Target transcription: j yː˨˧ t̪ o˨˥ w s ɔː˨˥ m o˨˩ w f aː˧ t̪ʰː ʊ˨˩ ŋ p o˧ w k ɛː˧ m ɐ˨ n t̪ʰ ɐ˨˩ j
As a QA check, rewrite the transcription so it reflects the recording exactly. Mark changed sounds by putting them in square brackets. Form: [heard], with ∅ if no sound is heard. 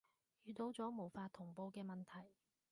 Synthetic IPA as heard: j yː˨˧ t̪ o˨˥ w [t͡s] ɔː˨˥ m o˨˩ w f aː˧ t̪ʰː ʊ˨˩ ŋ p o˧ w k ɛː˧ m ɐ˨ n t̪ʰ ɐ˨˩ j